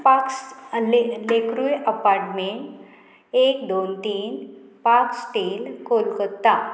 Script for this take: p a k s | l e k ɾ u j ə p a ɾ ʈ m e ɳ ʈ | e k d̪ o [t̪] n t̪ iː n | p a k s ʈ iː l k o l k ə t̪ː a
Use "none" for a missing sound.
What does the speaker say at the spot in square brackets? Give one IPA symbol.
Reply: none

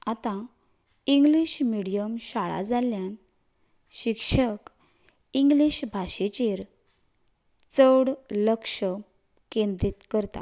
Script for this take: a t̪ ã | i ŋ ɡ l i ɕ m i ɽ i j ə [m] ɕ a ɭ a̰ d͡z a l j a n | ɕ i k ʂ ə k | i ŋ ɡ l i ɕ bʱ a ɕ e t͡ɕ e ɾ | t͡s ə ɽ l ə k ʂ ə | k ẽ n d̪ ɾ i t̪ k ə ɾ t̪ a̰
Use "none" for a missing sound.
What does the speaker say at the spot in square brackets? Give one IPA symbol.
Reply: m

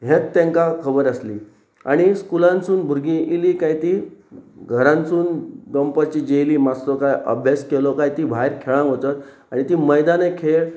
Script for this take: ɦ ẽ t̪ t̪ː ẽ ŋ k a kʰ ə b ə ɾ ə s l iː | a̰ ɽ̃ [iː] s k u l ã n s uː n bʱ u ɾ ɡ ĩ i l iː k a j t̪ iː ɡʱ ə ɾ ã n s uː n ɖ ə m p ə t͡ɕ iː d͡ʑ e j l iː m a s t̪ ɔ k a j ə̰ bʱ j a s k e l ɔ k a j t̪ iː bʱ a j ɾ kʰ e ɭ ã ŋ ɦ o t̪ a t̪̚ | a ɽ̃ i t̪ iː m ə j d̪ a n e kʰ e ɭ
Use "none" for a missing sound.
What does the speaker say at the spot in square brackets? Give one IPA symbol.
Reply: i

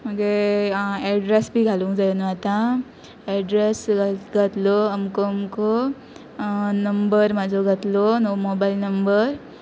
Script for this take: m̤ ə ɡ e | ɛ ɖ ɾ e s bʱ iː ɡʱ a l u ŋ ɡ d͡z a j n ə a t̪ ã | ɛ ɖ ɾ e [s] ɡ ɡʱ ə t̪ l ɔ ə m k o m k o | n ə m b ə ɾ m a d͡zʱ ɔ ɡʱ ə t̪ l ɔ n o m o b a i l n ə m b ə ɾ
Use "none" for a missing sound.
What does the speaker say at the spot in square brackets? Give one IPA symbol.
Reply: s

